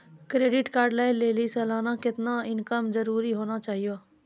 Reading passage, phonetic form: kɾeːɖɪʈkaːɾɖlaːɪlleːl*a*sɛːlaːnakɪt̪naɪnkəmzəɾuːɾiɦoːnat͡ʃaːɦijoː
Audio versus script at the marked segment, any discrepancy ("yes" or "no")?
yes